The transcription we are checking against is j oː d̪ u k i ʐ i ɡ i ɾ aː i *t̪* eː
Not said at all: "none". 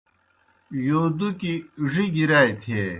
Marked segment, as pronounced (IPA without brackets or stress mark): t̪ʰ